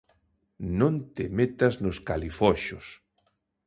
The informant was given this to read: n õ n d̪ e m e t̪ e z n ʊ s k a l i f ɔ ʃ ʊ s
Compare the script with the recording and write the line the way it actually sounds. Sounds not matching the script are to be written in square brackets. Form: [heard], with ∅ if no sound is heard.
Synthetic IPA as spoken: n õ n [t̪] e m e t̪ [a] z n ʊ s k a l i f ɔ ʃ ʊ s